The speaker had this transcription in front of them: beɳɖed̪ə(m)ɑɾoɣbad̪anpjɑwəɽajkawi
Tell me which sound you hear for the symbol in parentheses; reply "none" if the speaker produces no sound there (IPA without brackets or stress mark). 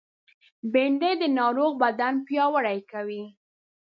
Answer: n